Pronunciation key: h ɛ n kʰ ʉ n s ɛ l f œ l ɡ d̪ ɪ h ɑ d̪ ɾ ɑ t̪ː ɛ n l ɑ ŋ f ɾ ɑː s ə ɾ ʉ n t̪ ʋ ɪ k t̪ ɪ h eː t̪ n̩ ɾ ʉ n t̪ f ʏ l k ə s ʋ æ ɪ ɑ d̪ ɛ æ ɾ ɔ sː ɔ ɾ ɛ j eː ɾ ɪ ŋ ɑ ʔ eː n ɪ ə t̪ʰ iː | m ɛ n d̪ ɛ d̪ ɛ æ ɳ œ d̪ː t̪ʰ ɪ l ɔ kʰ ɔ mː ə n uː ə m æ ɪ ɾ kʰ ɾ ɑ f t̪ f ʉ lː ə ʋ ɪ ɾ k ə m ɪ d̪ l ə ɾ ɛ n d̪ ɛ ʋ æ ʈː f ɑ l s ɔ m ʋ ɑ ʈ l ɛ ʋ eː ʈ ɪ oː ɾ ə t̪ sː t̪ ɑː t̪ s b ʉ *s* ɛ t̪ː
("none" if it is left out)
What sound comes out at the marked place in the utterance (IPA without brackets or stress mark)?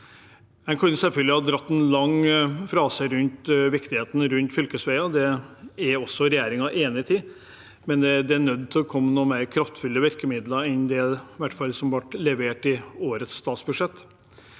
ʂ